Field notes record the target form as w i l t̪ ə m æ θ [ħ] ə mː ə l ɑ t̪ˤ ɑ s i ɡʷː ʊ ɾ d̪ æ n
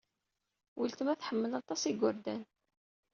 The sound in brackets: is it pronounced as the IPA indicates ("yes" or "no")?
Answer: yes